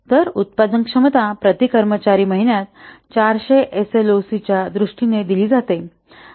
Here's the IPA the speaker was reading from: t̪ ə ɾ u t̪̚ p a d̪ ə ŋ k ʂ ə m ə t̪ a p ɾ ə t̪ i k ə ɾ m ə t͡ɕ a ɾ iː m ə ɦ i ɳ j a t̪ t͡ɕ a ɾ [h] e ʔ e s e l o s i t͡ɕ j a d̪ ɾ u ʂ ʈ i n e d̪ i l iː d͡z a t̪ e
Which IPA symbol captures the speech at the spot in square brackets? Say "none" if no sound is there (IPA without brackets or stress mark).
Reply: ɕ